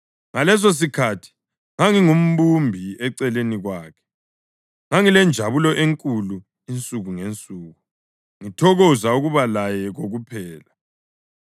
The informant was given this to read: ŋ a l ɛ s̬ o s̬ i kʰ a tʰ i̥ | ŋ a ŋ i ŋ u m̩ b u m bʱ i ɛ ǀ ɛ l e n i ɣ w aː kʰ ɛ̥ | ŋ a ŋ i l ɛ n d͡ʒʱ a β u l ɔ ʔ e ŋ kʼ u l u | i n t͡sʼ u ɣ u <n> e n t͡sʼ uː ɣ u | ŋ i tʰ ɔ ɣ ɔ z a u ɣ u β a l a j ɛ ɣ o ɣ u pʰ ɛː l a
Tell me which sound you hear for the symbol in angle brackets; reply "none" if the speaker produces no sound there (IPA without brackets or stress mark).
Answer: ŋ